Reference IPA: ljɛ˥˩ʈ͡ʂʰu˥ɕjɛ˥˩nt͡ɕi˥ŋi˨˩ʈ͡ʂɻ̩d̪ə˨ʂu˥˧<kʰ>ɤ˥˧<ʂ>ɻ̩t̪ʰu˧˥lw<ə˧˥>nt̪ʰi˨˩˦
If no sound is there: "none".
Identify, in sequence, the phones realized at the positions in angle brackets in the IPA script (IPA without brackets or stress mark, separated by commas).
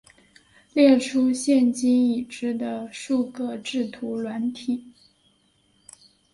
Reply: k, ʈ͡ʂ, a˧˥